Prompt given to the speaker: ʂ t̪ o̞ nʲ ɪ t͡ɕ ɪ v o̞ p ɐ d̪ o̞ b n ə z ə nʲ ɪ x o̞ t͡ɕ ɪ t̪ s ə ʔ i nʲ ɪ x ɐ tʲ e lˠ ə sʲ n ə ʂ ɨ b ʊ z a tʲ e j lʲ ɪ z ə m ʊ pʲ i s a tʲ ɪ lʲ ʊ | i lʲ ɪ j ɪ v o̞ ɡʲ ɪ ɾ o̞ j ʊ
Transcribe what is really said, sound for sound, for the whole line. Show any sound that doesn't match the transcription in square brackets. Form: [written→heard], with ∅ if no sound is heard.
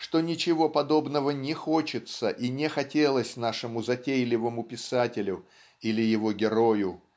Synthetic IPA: ʂ t̪ o̞ nʲ ɪ t͡ɕ ɪ v o̞ p ɐ d̪ o̞ b n ə [z→v] ə nʲ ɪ x o̞ t͡ɕ ɪ t̪ s ə ʔ i nʲ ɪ x ɐ tʲ e lˠ ə sʲ n [ə→a] ʂ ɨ [b→m] ʊ z [a→ɐ] tʲ e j lʲ ɪ [z→v] ə m ʊ pʲ [i→ɪ] s a tʲ ɪ lʲ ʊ | i lʲ ɪ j ɪ v o̞ ɡʲ ɪ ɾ o̞ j ʊ